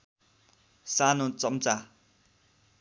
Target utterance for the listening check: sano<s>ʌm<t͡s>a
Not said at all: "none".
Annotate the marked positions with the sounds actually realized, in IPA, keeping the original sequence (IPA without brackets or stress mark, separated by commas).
t͡s, t͡s